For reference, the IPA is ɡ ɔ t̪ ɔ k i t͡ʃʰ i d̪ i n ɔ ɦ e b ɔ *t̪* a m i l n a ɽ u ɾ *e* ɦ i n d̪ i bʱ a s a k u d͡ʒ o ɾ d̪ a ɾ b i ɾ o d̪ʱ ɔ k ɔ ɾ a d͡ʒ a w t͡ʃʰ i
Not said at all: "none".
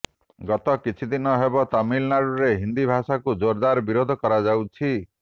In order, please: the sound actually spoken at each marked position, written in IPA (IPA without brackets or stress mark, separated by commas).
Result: t̪, e